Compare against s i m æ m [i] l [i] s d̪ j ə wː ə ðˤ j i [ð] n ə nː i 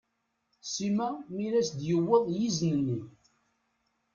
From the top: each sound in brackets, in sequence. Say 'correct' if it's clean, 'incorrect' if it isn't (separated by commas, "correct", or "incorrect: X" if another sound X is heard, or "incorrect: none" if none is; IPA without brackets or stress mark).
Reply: correct, incorrect: æ, incorrect: z